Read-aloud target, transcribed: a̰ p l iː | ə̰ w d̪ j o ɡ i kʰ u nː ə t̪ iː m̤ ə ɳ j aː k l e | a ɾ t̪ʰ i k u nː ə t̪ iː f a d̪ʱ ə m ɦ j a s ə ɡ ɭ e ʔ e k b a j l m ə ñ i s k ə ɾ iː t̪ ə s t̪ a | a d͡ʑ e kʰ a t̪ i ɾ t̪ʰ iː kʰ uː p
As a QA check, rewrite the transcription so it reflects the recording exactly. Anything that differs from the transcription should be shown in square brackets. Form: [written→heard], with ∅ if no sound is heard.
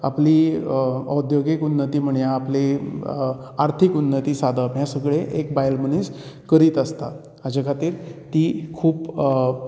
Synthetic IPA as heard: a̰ p l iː | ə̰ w d̪ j o ɡ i [kʰ→k] u nː ə t̪ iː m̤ ə ɳ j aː [k→p] l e | a ɾ t̪ʰ i k u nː ə t̪ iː [f→s] a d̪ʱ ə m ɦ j a s ə ɡ ɭ e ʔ e k b a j l m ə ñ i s k ə ɾ iː t̪ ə s t̪ a | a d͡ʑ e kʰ a t̪ [i→iː] ɾ [t̪ʰ→t̪] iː kʰ uː p